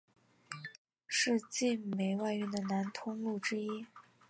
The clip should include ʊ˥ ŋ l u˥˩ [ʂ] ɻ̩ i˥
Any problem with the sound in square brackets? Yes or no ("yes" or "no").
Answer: yes